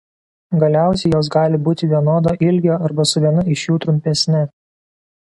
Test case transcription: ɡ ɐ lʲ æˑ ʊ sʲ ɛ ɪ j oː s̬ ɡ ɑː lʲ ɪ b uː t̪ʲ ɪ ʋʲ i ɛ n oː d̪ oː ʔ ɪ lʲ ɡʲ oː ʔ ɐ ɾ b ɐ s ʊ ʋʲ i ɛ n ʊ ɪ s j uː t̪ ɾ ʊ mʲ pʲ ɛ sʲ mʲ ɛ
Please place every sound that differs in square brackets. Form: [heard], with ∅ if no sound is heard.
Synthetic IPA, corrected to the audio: ɡ ɐ lʲ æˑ ʊ sʲ ɛ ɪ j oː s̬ ɡ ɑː lʲ ɪ b uː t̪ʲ ɪ ʋʲ i ɛ n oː d̪ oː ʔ ɪ lʲ ɡʲ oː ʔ ɐ ɾ b ɐ s ʊ ʋʲ i ɛ n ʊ ɪ [ʃ] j uː t̪ ɾ ʊ mʲ pʲ ɛ sʲ [nʲ] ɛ